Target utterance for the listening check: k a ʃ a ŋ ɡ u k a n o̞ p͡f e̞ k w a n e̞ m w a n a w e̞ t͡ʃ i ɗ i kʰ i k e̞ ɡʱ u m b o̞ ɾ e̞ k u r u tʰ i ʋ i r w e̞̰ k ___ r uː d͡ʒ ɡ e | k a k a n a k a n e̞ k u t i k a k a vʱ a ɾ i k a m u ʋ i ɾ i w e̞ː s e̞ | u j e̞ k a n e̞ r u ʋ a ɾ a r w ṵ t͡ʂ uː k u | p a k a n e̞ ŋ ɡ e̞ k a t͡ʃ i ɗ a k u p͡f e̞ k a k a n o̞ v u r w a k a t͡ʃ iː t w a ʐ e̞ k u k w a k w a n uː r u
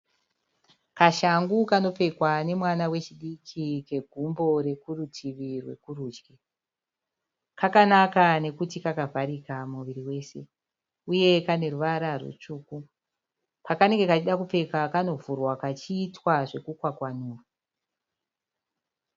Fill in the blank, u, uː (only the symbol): u